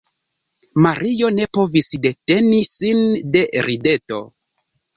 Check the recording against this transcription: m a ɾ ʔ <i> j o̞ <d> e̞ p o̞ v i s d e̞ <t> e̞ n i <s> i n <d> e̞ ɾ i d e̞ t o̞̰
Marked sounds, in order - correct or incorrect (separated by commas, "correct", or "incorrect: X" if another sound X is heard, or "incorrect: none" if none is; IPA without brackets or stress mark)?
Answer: correct, incorrect: n, correct, correct, correct